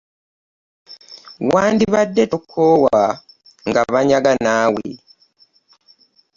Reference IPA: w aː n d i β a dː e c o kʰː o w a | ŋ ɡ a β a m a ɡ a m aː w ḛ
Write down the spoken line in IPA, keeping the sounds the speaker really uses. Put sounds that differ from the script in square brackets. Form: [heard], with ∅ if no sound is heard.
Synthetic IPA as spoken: w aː n d i β a dː e [t] o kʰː o w a | ŋ ɡ a β a [ɲ] a ɡ a [n] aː w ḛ